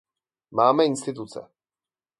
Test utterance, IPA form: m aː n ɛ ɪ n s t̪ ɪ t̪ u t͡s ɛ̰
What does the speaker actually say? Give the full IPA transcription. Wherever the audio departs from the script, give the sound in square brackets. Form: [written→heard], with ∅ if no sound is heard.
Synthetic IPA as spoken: m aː [n→m] ɛ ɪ n s t̪ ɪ t̪ u t͡s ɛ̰